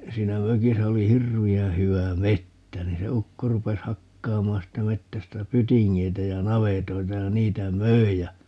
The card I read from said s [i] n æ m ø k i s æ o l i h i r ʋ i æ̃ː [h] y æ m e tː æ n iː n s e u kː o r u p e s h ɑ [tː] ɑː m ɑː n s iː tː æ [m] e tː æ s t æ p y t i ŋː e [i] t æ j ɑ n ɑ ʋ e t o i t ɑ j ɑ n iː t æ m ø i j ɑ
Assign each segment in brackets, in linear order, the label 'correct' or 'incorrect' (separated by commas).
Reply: incorrect, correct, incorrect, correct, correct